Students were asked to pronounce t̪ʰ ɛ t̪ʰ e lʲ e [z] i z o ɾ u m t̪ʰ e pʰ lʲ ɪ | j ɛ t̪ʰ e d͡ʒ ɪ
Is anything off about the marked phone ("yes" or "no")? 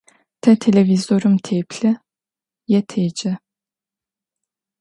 yes